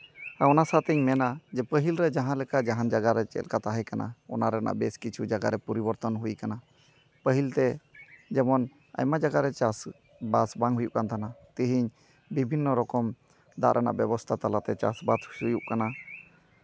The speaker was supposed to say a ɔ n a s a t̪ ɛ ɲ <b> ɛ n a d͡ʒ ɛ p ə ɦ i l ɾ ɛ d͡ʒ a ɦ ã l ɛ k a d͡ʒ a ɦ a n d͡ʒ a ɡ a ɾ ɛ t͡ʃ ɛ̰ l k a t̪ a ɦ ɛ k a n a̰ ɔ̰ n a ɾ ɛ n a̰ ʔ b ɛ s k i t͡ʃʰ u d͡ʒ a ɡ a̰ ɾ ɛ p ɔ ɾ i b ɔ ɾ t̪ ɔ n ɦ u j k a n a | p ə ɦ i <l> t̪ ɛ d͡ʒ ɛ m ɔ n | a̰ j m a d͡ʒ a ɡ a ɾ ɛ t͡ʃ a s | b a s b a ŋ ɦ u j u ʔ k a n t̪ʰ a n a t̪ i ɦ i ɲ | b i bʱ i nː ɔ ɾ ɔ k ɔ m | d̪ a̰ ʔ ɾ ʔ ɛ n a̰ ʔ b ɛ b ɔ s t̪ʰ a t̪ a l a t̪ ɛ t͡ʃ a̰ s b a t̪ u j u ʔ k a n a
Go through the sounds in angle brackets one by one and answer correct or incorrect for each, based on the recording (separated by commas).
incorrect, correct